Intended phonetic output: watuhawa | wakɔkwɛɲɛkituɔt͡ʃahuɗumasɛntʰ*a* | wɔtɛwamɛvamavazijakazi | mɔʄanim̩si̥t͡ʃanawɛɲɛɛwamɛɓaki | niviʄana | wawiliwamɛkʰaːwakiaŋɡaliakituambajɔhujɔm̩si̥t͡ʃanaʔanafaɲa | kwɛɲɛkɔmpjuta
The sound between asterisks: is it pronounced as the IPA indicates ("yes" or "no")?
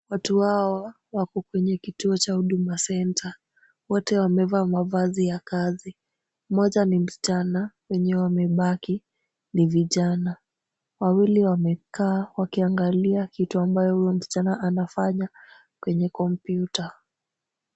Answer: yes